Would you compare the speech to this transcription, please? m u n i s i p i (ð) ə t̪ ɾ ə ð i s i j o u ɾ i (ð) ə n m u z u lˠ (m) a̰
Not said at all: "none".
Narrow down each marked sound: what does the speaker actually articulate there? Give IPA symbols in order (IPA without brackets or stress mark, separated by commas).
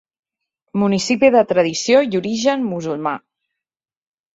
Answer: ð, ʒ, m